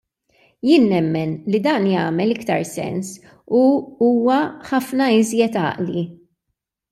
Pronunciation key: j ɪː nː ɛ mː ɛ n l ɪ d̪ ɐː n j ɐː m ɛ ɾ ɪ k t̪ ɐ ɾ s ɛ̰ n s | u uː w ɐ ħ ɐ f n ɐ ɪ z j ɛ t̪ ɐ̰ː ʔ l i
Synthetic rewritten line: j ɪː nː ɛ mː ɛ n l i d̪ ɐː n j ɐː m ɛ l ɪ k t̪ ɐ ɾ s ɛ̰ n s | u uː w ɐ ħ ɐ f n ɐ ɪ z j ɛ t̪ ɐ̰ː ʔ l i